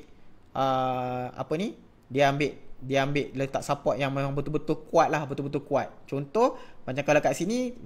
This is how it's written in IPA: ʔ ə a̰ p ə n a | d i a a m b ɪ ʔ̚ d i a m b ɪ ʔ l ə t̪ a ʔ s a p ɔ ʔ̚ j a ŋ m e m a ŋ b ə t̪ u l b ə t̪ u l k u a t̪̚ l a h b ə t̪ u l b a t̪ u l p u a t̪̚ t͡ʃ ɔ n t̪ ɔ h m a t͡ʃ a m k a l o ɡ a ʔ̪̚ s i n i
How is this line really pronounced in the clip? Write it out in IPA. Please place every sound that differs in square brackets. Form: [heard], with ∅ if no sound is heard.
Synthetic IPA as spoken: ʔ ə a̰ p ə n [i] | d i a a m b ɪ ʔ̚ d i a m b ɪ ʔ l ə t̪ a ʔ s a p ɔ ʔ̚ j a ŋ m e m a ŋ b ə t̪ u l b ə t̪ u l k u a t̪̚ l a h b ə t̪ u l b [ə] t̪ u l [k] u a t̪̚ t͡ʃ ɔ n t̪ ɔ h m a t͡ʃ a m k a l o [k] a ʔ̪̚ s i n i